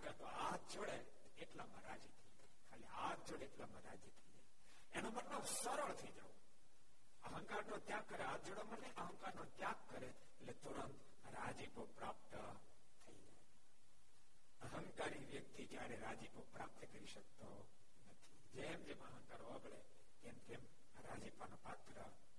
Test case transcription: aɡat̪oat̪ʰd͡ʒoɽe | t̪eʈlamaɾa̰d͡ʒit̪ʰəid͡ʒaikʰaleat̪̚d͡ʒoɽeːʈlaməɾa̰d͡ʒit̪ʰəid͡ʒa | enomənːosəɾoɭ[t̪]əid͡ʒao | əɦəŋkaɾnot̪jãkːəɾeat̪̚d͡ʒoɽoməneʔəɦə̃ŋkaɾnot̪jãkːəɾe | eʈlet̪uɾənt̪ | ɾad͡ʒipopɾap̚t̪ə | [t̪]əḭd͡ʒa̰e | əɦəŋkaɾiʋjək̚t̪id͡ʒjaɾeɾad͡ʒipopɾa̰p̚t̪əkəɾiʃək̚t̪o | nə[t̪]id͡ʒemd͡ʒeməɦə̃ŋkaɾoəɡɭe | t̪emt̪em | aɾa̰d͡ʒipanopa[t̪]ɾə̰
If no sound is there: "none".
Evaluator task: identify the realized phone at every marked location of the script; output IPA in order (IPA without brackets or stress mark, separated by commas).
t̪ʰ, t̪ʰ, t̪ʰ, t̪